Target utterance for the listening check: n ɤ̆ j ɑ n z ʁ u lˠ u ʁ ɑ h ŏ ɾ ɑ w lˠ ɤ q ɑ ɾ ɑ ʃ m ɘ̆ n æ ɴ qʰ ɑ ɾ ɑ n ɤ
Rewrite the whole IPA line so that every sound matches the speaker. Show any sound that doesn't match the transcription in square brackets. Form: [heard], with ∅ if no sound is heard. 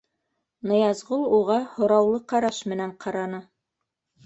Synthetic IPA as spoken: n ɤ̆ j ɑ [∅] z ʁ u lˠ u ʁ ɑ h ŏ ɾ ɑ w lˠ ɤ q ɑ ɾ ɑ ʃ m ɘ̆ n æ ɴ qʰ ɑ ɾ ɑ n ɤ

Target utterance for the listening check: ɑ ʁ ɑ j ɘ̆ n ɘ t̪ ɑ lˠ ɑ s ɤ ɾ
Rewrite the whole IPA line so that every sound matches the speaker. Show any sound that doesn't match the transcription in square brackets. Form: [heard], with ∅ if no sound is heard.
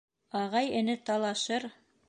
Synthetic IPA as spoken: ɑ ʁ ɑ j ɘ̆ n ɘ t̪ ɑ lˠ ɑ [ʃ] ɤ ɾ

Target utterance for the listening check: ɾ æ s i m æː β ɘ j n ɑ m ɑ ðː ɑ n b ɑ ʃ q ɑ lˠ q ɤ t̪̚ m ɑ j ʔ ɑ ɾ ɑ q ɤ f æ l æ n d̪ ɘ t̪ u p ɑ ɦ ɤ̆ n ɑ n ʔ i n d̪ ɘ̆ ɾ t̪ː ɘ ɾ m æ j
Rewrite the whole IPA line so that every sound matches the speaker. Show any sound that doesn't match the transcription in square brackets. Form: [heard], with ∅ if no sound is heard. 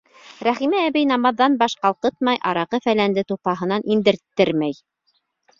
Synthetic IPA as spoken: ɾ æ [χ] i m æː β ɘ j n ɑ m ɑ ðː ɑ n b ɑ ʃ q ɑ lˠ q ɤ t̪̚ m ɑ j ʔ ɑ ɾ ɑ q ɤ f æ l æ n d̪ ɘ t̪ u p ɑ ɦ ɤ̆ n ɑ n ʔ i n d̪ ɘ̆ ɾ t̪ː ɘ ɾ m æ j

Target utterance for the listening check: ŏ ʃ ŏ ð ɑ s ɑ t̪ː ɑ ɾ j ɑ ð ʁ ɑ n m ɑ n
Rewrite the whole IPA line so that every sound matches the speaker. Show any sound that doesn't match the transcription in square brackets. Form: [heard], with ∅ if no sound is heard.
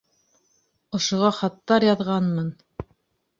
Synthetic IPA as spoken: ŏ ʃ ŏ [ʁ] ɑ [χ] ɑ t̪ː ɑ ɾ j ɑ ð ʁ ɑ n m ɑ n

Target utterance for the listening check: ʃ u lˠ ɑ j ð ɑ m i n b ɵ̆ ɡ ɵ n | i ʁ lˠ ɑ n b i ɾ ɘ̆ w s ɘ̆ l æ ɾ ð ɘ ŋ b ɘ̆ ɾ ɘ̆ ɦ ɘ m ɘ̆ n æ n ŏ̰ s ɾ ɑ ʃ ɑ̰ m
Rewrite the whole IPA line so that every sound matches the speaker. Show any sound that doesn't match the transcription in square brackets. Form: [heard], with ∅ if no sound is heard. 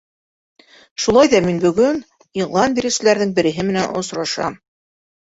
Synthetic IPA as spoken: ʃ u lˠ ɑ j ð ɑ m i n b ɵ̆ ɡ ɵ n | i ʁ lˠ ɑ n b i ɾ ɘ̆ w s ɘ̆ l æ ɾ ð ɘ ŋ b ɘ̆ ɾ ɘ̆ ɦ ɘ m ɘ̆ n æ n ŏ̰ s ɾ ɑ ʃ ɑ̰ m

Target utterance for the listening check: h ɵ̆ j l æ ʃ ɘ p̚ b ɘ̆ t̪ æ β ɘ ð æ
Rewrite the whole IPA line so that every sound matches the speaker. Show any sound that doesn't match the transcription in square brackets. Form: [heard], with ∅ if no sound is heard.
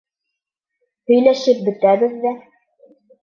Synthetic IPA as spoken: h ɵ̆ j l æ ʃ ɘ p̚ b ɘ̆ t̪ æ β ɘ [ðː] æ

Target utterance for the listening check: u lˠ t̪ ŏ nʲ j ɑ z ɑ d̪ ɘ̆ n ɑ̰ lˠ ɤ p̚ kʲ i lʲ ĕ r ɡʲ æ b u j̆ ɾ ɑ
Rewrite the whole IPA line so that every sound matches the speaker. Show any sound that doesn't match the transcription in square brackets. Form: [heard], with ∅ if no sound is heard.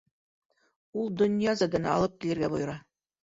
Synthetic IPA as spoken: u lˠ [d̪] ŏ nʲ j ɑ z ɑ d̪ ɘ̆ n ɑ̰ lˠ ɤ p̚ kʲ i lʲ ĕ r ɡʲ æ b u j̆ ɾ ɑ

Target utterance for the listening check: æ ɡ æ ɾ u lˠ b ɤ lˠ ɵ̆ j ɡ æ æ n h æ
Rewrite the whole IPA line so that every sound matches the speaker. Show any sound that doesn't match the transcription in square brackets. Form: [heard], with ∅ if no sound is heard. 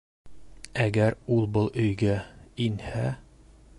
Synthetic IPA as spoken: æ ɡ æ ɾ u lˠ b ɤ lˠ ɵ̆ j ɡ æ [i] n h æ

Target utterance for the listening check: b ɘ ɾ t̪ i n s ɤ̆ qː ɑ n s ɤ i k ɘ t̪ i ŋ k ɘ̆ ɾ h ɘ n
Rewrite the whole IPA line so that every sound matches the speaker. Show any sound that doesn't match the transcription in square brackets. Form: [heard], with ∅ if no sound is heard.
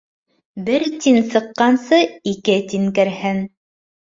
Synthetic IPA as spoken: b ɘ ɾ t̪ i n s ɤ̆ qː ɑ n s ɤ i k ɘ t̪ i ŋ k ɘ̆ ɾ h ɘ n

